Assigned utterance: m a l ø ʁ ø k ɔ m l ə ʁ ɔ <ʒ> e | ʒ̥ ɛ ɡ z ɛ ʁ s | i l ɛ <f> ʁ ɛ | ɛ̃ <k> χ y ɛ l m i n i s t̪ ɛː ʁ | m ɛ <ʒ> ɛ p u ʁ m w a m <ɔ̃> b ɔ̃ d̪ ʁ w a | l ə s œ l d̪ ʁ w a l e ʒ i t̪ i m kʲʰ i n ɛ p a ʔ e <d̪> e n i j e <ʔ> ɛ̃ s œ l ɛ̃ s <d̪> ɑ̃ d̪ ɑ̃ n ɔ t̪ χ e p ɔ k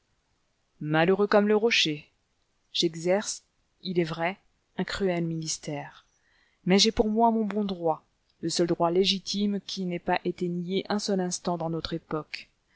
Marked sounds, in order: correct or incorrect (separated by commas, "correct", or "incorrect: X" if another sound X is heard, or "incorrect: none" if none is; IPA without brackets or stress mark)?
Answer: incorrect: ʃ, incorrect: v, correct, correct, correct, incorrect: t̪, correct, incorrect: t̪